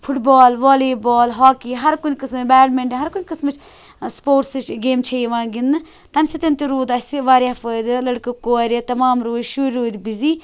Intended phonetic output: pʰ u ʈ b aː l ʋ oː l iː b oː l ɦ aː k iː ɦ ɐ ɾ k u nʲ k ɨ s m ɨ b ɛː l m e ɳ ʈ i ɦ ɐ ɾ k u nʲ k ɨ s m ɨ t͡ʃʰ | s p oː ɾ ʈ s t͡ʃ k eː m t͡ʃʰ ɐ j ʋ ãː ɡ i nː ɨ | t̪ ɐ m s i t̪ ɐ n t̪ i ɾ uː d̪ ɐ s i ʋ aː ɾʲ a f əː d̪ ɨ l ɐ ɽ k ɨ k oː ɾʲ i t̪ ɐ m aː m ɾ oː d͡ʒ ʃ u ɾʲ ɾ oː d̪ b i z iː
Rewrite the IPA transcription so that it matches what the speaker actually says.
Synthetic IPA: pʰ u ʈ b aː l ʋ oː l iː b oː l ɦ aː k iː ɦ ɐ ɾ k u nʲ k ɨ s m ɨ b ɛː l m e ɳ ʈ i ɦ ɐ ɾ k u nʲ k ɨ s m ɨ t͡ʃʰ | s p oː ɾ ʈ s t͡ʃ ɡ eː m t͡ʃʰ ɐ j ʋ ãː ɡ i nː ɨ | t̪ ɐ m s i t̪ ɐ n t̪ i ɾ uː d̪ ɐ s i ʋ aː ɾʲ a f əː d̪ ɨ l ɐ ɽ k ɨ k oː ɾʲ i t̪ ɐ m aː m ɾ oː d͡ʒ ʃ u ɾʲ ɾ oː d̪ b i z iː